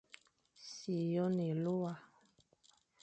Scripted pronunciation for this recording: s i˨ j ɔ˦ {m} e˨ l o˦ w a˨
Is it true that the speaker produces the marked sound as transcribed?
no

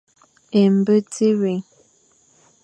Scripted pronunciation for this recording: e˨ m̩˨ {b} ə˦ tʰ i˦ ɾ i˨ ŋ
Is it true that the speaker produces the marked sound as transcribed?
yes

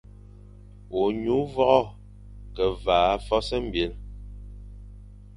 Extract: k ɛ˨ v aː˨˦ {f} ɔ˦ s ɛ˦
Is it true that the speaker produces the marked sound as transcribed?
yes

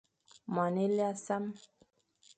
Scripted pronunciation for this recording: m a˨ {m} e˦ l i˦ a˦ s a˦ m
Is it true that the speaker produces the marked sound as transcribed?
no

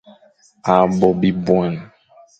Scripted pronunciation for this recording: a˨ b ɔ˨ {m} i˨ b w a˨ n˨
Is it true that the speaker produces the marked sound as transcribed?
no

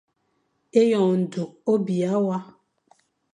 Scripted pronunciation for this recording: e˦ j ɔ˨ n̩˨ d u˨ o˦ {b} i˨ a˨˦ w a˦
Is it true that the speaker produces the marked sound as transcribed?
yes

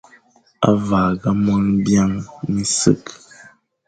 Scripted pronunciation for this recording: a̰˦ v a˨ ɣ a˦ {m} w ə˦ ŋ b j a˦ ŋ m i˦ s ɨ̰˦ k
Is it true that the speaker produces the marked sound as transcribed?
yes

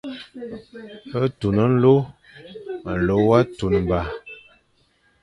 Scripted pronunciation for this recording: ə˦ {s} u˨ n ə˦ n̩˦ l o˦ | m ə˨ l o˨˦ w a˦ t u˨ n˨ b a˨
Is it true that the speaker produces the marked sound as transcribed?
no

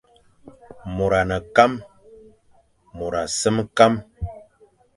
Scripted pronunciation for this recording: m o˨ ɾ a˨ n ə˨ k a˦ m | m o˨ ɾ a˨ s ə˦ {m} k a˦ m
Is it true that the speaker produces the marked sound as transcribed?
yes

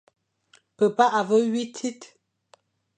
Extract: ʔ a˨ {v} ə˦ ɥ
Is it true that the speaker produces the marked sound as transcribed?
yes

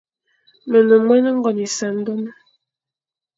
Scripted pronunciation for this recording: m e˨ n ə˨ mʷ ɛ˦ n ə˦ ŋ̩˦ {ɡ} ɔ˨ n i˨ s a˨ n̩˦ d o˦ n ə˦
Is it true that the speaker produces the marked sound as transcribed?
yes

